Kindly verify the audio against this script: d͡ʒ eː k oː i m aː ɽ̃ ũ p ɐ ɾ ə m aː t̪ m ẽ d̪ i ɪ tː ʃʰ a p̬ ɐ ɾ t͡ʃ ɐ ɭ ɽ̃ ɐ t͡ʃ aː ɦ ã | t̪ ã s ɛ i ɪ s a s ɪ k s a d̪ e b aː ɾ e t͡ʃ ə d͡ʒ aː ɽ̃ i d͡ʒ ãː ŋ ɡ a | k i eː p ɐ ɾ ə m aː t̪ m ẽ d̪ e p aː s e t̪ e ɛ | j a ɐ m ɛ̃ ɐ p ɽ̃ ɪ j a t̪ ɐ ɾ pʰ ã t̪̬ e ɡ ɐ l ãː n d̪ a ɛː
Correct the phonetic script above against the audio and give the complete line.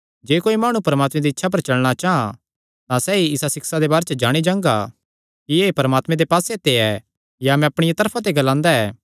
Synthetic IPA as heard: d͡ʒ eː k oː i m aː ɽ̃ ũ p ɐ ɾ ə m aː t̪ m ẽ d̪ i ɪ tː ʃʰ a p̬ ɐ ɾ t͡ʃ ɐ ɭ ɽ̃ a t͡ʃ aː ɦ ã | t̪ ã s ɛ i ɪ s a s ɪ k s a d̪ e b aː ɾ e t͡ʃ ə d͡ʒ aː ɽ̃ i d͡ʒ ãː ŋ ɡ a | k i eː p ɐ ɾ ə m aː t̪ m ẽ d̪ e p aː s e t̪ e ɛ | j a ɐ m ɛ̃ ɐ p ɽ̃ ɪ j a t̪ ɐ ɾ pʰ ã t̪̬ e ɡ ɐ l ãː n d̪ a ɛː

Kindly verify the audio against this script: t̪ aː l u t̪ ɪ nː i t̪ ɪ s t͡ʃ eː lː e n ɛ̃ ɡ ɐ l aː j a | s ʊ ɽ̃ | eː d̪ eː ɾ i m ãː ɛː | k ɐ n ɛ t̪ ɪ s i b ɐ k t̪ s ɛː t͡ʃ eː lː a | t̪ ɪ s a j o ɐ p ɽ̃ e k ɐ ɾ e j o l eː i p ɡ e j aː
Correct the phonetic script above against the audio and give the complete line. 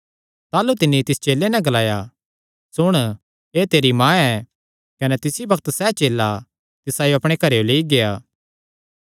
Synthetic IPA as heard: t̪ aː l u t̪ ɪ nː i t̪ ɪ s t͡ʃ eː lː e n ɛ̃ ɡ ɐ l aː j a | s ʊ ɽ̃ | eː t̪ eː ɾ i m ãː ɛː | k ɐ n ɛ t̪ ɪ s i b ɐ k t̪ s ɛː t͡ʃ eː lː a | t̪ ɪ s a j o ɐ p ɽ̃ e k ɐ ɾ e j o l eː i ɡ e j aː

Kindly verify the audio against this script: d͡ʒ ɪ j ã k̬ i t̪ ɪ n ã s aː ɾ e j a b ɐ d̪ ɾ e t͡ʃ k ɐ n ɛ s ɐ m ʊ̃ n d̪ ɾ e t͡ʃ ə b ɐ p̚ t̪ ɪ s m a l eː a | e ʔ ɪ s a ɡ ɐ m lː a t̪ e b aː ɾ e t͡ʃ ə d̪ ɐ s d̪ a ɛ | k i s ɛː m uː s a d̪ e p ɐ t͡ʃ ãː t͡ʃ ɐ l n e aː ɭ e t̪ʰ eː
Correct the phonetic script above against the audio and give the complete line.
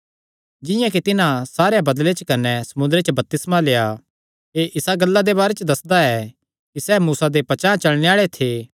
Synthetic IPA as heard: d͡ʒ ɪ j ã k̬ i t̪ ɪ n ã s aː ɾ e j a b ɐ d̪ l e t͡ʃ k ɐ n ɛ s ɐ m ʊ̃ n d̪ ɾ e t͡ʃ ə b ɐ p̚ t̪ ɪ s m a l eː a | e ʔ ɪ s a ɡ ɐ lː a d̪ e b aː ɾ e t͡ʃ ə d̪ ɐ s d̪ a ɛ | k i s ɛː m uː s a d̪ e p ɐ t͡ʃ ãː t͡ʃ ɐ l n e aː ɭ e t̪ʰ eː

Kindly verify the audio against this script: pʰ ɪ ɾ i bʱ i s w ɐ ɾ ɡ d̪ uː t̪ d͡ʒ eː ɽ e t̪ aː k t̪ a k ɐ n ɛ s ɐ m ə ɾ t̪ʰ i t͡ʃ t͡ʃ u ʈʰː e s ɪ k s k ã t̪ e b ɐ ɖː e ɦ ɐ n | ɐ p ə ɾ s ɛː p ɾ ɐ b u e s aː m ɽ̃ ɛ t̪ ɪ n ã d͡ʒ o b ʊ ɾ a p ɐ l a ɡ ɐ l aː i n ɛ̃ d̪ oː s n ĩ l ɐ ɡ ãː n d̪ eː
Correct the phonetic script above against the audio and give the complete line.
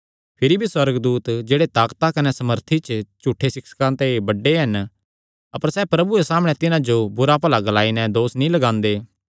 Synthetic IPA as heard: pʰ ɪ ɾ i bʱ i s w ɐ ɾ ɡ d̪ uː t̪ d͡ʒ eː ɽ e t̪ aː k t̪ a k ɐ n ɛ s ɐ m ə ɾ t̪ʰ i t͡ʃ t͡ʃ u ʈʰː e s ɪ k s k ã t̪ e b ɐ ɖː e ɦ ɐ n | ɐ p ə ɾ s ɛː p ɾ ɐ b u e s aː m ɽ̃ ɛ t̪ ɪ n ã d͡ʒ o b ʊ ɾ a p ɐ l a ɡ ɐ l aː i n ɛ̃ d̪ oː s n ĩ l ɐ ɡ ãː n d̪ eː

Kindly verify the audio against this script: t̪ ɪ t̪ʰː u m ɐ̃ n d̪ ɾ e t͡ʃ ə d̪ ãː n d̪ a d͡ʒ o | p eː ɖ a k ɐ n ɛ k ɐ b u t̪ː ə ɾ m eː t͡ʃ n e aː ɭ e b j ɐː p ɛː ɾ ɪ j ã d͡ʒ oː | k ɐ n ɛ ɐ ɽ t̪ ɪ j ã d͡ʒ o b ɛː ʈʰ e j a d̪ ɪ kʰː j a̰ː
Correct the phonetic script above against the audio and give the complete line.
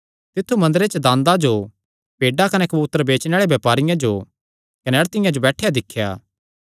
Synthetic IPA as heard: t̪ ɪ t̪ʰː u m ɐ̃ n d̪ ɾ e t͡ʃ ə d̪ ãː n d̪ a d͡ʒ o | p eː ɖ a k ɐ n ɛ k ɐ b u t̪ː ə ɾ b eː t͡ʃ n e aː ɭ e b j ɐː p aː ɾ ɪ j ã d͡ʒ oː | k ɐ n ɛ ɐ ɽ t̪ ɪ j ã d͡ʒ o b ɛː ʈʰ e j a d̪ ɪ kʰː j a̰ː

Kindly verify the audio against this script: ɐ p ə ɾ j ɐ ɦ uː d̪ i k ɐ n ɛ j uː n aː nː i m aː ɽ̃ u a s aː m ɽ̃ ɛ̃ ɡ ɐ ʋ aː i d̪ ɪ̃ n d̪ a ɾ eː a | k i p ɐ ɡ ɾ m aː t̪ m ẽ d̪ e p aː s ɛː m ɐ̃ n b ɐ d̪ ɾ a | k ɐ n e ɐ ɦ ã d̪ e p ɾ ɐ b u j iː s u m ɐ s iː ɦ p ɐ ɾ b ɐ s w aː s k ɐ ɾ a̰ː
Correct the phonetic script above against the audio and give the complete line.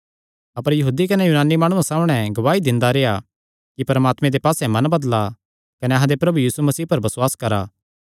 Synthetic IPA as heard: ɐ p ə ɾ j ɐ ɦ uː d̪ i k ɐ n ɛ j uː n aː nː i m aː ɽ̃ u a s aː m ɽ̃ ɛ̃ ɡ ɐ ʋ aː i d̪ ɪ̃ n d̪ a ɾ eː a | k i p ɐ ɾ m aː t̪ m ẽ d̪ e p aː s ɛ m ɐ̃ n b ɐ d̪ l a | k ɐ n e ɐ ɦ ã d̪ e p ɾ ɐ b u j iː s u m ɐ s iː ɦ p ɐ ɾ b ɐ s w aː s k ɐ ɾ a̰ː

